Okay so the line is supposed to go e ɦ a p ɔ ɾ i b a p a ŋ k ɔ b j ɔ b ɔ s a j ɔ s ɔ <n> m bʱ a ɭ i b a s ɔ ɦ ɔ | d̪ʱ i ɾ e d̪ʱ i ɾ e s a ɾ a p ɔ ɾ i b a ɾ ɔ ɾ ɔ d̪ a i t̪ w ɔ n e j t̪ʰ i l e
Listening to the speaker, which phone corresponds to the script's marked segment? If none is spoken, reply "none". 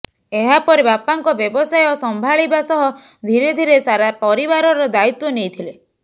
none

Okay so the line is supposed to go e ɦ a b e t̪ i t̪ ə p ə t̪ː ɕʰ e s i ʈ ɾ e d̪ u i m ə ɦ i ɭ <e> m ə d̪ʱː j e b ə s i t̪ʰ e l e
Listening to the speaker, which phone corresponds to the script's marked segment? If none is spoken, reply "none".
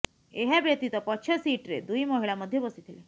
a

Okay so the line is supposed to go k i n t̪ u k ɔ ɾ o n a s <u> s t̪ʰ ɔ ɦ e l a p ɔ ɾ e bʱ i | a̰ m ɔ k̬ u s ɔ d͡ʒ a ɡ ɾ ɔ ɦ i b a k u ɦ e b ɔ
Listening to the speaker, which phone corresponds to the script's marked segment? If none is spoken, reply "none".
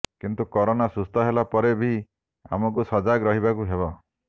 u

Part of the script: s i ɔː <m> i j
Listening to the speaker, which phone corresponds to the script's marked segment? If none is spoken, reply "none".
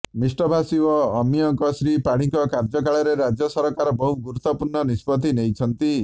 m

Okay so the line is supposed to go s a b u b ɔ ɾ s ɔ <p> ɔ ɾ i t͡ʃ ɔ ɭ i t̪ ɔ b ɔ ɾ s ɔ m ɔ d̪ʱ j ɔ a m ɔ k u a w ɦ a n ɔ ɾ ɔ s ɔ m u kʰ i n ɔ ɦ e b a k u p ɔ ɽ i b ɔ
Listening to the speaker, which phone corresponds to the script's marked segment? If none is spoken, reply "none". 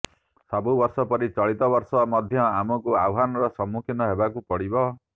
p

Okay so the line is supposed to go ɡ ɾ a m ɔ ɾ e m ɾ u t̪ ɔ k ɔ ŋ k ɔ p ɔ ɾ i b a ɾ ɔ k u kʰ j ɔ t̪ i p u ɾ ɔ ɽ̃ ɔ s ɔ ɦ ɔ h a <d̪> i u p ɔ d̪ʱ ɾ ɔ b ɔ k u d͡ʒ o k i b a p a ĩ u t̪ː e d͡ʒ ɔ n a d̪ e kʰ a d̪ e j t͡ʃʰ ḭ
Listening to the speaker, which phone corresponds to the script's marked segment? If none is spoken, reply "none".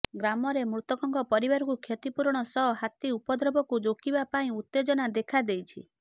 t̪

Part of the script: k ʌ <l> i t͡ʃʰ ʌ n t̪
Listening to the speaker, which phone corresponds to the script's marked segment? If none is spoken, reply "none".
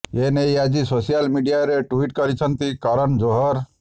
ɾ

